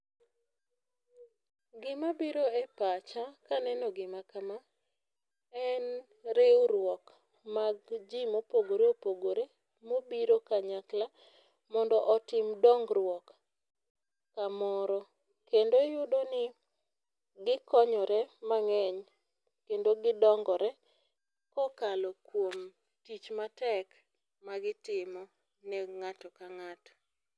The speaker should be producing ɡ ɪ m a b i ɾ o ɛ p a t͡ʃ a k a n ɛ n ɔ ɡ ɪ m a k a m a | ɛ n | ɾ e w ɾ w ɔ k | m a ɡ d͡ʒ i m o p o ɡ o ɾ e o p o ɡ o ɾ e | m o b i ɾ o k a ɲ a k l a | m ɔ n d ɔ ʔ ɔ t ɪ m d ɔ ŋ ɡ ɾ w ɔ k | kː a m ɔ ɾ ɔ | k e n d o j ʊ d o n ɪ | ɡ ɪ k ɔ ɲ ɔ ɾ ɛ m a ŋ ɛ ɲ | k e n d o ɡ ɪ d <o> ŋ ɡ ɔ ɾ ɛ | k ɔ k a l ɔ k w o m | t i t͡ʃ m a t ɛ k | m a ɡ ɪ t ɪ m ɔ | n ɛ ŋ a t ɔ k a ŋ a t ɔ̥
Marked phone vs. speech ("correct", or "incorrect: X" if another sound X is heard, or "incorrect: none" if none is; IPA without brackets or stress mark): incorrect: ɔ